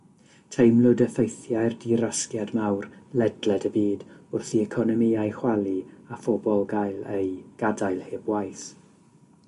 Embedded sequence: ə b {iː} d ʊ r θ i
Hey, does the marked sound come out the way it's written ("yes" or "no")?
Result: yes